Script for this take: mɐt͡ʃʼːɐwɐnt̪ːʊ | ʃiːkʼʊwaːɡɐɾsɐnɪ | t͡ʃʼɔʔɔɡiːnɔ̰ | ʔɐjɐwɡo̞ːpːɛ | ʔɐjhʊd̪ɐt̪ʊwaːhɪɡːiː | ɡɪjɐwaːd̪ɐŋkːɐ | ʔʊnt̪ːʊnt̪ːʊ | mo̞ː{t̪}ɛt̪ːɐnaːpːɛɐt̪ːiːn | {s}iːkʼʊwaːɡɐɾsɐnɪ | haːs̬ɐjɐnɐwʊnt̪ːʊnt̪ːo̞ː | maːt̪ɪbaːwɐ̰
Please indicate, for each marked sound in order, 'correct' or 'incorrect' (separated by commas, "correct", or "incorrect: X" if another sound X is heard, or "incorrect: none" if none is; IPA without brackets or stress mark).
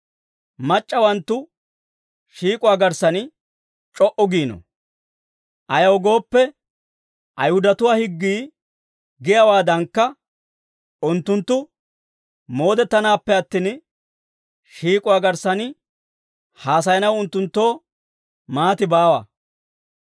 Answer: incorrect: d̪, incorrect: ʃ